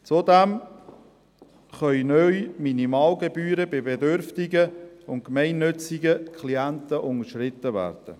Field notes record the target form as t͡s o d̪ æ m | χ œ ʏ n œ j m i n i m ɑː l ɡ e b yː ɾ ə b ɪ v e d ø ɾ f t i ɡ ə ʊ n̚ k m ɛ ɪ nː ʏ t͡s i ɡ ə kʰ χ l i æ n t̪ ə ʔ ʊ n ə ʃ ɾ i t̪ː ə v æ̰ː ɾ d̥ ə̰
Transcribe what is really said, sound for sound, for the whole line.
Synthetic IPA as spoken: t͡s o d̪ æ m | χ œ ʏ n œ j m i n i m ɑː l ɡ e b yː ɾ ə b ɪ b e d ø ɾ f t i ɡ ə ʊ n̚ k m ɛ ɪ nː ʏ t͡s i ɡ ə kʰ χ l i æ n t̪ ə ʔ ʊ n ə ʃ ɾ ɪ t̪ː ə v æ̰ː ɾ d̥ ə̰

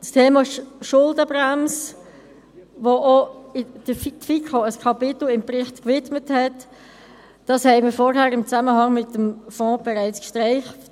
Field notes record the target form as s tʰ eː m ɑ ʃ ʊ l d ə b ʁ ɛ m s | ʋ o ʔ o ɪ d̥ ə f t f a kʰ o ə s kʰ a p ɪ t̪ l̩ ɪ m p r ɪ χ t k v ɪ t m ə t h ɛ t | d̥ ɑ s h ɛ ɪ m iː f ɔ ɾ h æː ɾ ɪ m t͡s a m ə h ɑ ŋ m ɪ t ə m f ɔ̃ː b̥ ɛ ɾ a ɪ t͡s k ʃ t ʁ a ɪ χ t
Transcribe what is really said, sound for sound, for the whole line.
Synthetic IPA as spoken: s tʰ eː m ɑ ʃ ʊ l d ə b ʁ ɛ m s | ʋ o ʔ o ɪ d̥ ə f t f i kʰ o ə s kʰ ɑ p ɪ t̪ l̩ ɪ m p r ɪ χ t k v ɪ t m ə t h ɛ t | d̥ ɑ s h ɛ ɪ m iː f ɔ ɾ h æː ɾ ɪ m t͡s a m ə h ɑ ŋ m ɪ t ə m f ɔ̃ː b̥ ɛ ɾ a ɪ t͡s k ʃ t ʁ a ɪ χ t

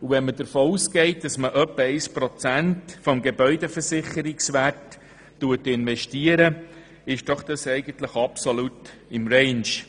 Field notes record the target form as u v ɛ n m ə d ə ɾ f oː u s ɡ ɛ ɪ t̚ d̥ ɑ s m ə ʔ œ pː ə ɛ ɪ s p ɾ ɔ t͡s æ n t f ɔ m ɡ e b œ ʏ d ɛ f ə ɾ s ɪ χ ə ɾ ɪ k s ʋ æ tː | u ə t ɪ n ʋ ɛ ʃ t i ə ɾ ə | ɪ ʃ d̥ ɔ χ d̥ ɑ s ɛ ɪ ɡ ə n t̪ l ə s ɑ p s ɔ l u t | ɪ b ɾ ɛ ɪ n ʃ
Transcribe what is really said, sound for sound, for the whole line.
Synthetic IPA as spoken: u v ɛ n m ə d ə ɾ f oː u s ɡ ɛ ɪ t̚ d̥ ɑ s m ə ʔ œ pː ə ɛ ɪ s p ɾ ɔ t͡s æ n t f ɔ m ɡ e b œ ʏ d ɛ f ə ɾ s ɪ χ ə ɾ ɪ k s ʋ æ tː | u ə t ɪ n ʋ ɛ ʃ t i ə ɾ ə | ɪ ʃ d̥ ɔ χ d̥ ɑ s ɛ ɪ ɡ ə n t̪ l ə χ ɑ p s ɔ l u t | ɪ m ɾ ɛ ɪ n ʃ

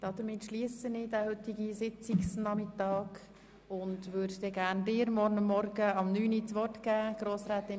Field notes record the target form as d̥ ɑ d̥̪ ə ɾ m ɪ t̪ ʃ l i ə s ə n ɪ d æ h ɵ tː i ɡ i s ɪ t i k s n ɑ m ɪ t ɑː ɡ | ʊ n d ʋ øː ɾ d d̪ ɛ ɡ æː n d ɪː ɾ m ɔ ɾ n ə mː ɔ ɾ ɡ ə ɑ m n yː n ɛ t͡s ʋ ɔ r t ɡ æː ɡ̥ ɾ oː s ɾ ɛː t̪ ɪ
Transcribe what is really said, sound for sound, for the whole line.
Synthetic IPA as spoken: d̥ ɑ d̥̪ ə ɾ m ɪ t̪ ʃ l i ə s ə n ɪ d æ h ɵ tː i ɡ i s ɪ t͡s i k s n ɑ m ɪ t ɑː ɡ | ʊ n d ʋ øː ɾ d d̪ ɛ ɡ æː n d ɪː ɾ m ɔ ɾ n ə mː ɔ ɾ ɡ ə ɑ m n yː n i t͡s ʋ ɔ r t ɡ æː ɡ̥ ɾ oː s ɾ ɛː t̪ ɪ

